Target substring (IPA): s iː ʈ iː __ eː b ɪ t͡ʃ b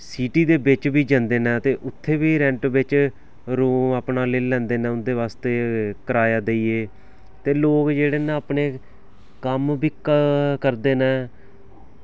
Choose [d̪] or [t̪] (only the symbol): d̪